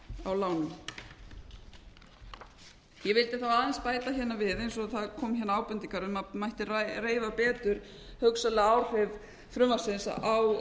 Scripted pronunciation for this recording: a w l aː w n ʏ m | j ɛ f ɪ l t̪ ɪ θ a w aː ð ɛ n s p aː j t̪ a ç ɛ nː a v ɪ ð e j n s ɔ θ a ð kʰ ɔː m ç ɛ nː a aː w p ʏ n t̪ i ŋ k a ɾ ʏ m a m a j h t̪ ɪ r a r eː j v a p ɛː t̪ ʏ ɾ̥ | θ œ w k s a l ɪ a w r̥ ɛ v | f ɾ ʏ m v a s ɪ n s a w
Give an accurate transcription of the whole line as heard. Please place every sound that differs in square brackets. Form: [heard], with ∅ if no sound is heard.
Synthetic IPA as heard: a w l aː w n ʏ m | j ɛ [v] ɪ l t̪ ɪ θ a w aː ð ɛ n s p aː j t̪ a ç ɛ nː a v ɪ ð e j n s ɔ θ a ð kʰ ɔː m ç ɛ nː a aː w p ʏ n t̪ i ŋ k a ɾ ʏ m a m a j h t̪ ɪ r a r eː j v a p ɛː t̪ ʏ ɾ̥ | [h] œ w k s a l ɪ a w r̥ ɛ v | f ɾ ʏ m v a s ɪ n s a w

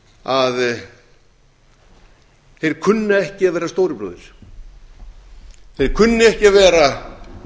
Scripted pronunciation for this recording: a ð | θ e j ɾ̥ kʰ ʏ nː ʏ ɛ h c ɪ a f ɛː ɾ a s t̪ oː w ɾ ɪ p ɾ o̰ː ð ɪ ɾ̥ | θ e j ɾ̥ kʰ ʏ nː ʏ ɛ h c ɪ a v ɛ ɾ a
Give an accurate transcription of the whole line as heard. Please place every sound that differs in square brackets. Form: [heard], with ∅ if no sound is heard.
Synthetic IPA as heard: a ð | θ e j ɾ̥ kʰ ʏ nː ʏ ɛ h c ɪ a [v] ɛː ɾ a s t̪ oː w ɾ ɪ p ɾ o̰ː ð ɪ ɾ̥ | θ e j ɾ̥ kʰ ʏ nː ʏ ɛ h c ɪ a v [ɛː] ɾ a

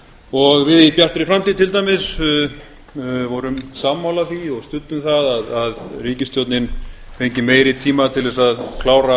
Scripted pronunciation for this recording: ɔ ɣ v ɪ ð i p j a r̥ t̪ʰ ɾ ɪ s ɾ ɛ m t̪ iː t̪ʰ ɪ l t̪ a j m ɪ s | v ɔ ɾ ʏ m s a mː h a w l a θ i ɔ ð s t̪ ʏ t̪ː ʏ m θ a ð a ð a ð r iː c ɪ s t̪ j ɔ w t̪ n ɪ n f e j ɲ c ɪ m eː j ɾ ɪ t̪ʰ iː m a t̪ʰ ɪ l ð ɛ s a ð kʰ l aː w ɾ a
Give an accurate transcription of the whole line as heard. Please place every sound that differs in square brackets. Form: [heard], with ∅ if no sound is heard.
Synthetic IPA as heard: ɔ ɣ v ɪ ð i p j a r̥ [t̪] ɾ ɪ [f] ɾ [a] m t̪ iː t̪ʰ ɪ l t̪ a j m ɪ s | v ɔ ɾ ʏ m s a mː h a w l a θ i ɔ [ɣ] s t̪ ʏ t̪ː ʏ m θ a ð a ð a ð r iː c ɪ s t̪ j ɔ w t̪ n ɪ n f e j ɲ c ɪ m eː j ɾ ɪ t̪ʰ iː m a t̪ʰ ɪ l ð ɛ s a ð kʰ l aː w ɾ a

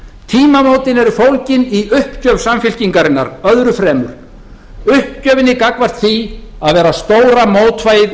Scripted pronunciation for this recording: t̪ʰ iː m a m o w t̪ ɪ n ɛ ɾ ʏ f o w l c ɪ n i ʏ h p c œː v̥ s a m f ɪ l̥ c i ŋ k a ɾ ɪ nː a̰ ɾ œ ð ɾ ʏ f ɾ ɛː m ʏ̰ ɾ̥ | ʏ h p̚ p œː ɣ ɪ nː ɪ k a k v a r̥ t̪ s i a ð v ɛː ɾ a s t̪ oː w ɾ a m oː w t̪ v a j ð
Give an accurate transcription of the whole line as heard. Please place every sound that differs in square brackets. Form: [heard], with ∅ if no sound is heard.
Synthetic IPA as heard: t̪ʰ iː m a m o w t̪ ɪ n ɛ ɾ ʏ f o w l c ɪ n i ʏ h p c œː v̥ s a m f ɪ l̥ c i ŋ k a ɾ ɪ nː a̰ ɾ œ ð ɾ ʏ f ɾ ɛː m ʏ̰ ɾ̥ | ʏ h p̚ [c] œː [v] ɪ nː ɪ k a k v a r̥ t̪ [θ] i a ð v ɛː ɾ a s t̪ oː w ɾ a m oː w t̪ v a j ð

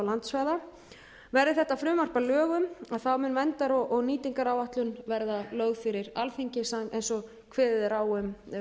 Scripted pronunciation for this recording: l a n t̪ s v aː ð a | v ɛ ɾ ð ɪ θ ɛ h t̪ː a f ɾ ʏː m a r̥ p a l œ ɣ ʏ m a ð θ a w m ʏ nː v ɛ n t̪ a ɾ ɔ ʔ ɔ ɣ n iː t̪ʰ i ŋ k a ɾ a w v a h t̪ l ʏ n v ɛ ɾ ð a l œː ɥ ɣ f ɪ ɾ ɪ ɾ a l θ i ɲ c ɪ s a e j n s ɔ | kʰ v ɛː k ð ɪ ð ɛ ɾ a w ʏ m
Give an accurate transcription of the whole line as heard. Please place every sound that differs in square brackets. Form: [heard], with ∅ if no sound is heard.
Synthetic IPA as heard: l a n t̪ s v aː ð a | v ɛ ɾ ð ɪ θ ɛ h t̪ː a f ɾ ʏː m a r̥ p a l [œː] ɣ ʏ m a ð θ a w m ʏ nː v ɛ n t̪ a ɾ ɔ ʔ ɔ ɣ n iː [t̪] i ŋ k a ɾ a w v a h t̪ l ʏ n v ɛ ɾ ð a l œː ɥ ɣ f ɪ ɾ ɪ ɾ a l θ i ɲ c ɪ s a e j n s ɔ | kʰ v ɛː [∅] ð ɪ ð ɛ ɾ a w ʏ m

